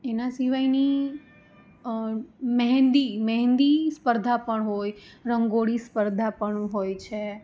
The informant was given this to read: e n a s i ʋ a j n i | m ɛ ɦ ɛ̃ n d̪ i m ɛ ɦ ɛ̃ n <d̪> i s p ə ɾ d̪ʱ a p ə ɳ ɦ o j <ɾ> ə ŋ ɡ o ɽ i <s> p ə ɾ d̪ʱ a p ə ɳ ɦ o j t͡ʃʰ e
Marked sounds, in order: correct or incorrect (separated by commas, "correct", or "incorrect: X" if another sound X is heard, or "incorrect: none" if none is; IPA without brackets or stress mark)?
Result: correct, correct, correct